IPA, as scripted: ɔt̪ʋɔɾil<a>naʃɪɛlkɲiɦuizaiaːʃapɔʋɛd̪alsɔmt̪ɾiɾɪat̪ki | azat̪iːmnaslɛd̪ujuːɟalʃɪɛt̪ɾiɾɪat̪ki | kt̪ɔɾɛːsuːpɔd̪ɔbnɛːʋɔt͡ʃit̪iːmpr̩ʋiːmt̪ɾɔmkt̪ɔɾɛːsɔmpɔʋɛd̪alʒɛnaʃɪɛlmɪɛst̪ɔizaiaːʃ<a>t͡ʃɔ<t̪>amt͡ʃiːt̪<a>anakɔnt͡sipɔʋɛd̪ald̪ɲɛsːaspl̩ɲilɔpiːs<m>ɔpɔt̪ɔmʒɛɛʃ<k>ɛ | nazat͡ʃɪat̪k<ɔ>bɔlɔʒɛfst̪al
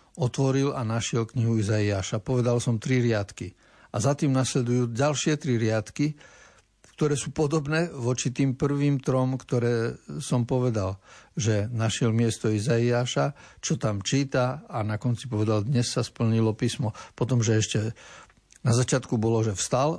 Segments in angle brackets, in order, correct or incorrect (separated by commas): correct, correct, correct, correct, correct, incorrect, incorrect